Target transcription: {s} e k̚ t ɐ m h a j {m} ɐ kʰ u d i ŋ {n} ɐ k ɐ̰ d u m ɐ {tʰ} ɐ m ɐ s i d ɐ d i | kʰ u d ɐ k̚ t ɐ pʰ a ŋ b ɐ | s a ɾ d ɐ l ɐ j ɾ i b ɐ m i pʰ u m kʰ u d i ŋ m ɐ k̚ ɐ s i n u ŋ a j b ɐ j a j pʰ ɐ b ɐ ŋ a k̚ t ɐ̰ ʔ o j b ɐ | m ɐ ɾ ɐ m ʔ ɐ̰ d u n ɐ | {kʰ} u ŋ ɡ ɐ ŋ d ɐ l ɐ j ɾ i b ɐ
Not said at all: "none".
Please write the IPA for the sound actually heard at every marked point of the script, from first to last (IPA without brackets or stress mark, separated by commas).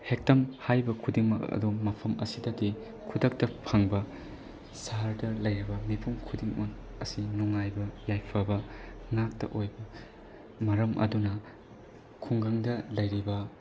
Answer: h, b, m, pʰ, kʰ